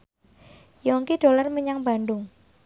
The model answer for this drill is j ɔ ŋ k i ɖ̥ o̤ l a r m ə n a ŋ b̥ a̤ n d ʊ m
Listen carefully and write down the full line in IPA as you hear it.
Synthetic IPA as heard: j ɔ ŋ k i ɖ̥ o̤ l a r m ə ɲ a ŋ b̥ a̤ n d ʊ ŋ